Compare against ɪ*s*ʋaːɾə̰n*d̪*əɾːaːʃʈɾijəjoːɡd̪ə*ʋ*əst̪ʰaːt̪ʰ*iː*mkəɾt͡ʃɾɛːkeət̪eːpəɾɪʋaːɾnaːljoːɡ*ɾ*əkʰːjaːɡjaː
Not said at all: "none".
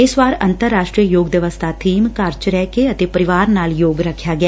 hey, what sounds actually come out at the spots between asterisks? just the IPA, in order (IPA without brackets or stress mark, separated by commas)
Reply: s, t̪, ʋ, iː, ɾ